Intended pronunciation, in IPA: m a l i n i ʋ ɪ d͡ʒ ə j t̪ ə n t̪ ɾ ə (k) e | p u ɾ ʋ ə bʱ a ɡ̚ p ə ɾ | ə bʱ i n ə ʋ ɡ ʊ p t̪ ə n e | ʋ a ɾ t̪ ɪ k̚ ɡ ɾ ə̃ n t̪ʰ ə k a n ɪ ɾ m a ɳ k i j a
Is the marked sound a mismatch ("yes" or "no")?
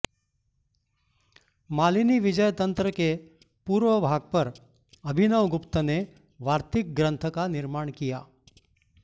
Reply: no